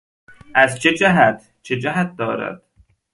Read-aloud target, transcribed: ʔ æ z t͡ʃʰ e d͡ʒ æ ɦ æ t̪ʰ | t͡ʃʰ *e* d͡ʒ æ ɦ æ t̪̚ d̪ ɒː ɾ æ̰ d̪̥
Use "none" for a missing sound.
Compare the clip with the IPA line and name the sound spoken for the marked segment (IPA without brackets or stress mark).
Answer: e